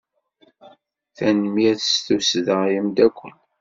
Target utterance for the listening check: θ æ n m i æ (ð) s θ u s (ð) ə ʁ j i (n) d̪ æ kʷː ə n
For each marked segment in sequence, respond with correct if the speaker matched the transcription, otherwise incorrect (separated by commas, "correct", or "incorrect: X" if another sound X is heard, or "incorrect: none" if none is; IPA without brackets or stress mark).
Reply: incorrect: θ, correct, incorrect: m